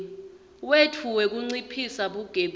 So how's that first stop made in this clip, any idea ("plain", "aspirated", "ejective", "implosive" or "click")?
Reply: aspirated